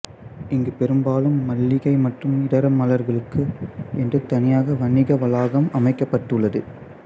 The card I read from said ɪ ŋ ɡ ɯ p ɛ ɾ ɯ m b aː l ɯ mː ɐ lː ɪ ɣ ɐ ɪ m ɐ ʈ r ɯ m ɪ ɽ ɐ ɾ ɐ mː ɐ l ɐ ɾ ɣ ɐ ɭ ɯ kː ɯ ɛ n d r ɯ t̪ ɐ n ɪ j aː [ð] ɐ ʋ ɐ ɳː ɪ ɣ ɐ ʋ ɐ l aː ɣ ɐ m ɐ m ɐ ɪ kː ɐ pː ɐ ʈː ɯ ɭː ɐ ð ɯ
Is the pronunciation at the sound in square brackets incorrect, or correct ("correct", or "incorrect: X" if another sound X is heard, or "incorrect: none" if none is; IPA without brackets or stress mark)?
incorrect: ɣ